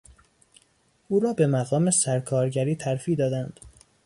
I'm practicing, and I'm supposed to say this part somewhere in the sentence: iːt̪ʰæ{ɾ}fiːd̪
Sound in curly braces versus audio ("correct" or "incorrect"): correct